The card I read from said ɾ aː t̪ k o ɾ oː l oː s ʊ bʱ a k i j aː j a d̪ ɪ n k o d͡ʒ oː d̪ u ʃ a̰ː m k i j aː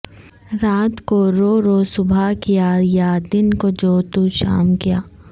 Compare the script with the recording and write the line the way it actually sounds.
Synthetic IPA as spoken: ɾ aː t̪ k o ɾ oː ɾ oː s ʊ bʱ a k i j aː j a d̪ ɪ n k o d͡ʒ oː t̪ u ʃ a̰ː m k i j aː